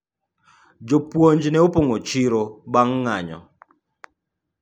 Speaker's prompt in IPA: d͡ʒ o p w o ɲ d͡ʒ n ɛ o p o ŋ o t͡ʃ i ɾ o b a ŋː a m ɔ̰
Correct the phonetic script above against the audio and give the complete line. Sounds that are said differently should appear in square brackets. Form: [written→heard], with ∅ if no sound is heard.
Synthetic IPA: d͡ʒ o p w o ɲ d͡ʒ n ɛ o p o ŋ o t͡ʃ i ɾ o b a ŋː a [m→ɲ] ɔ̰